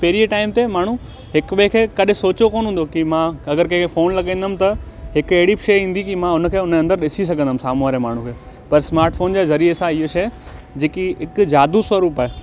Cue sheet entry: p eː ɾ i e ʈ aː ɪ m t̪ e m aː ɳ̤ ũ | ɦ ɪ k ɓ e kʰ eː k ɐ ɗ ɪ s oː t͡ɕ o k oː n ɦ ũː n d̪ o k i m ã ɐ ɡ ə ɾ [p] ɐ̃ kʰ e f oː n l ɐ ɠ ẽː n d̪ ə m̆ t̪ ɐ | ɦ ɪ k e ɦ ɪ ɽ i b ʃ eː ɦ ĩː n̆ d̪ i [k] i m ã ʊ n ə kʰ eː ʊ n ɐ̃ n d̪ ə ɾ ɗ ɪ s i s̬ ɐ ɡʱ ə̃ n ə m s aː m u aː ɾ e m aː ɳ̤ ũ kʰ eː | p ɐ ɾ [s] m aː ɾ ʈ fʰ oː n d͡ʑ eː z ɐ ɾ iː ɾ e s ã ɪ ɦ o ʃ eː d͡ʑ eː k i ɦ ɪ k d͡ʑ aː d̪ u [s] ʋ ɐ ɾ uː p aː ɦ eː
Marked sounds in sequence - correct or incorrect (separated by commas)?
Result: incorrect, correct, correct, correct